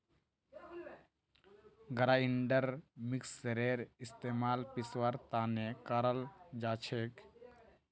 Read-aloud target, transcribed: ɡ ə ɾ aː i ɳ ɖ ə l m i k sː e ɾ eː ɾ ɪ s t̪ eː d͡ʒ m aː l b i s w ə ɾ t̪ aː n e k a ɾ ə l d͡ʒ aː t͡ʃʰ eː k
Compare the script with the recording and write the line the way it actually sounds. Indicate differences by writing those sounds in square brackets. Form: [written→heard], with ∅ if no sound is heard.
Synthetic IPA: ɡ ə ɾ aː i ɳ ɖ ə [l→ɾ] m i k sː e ɾ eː ɾ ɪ s t̪ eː [d͡ʒ→∅] m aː l [b→p] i s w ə ɾ t̪ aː n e k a ɾ ə l d͡ʒ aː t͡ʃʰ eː k